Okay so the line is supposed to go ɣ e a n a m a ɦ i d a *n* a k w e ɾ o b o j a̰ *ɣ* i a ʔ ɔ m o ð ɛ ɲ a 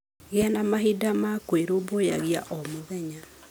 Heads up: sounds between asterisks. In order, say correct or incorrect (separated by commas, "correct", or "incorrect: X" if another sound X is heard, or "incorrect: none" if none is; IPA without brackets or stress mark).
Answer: incorrect: m, correct